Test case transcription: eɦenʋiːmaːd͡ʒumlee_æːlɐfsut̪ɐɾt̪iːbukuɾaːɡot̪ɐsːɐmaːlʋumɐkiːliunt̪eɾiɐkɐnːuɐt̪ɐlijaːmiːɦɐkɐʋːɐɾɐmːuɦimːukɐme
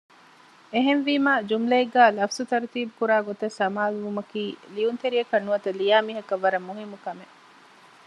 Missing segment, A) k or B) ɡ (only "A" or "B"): B